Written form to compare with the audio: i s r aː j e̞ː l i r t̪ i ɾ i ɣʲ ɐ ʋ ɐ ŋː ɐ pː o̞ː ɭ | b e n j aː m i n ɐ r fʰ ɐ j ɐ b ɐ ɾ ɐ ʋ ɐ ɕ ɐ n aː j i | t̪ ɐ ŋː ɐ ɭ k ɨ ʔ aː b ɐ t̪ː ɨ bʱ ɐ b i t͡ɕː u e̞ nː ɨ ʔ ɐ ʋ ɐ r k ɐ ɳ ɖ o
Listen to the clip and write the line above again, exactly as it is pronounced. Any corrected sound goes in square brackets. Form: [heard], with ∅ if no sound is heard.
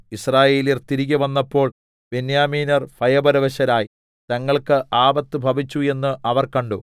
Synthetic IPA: i s r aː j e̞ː l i r t̪ i ɾ i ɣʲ ɐ ʋ ɐ [nː] ɐ pː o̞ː ɭ | b e n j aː m [iː] n ɐ r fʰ ɐ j ɐ b ɐ ɾ ɐ ʋ ɐ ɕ ɐ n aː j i | t̪ ɐ ŋː ɐ ɭ k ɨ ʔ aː b ɐ t̪ː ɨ bʱ ɐ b i t͡ɕː u e̞ nː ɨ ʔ ɐ ʋ ɐ r k ɐ ɳ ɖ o